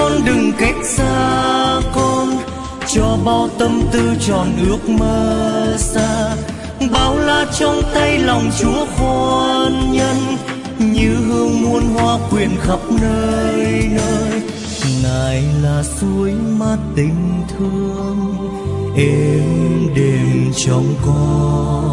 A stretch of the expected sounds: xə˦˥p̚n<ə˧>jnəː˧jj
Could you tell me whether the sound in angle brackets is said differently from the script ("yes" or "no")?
yes